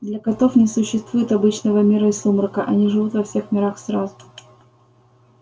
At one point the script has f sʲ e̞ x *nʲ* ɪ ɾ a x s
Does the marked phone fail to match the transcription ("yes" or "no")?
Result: yes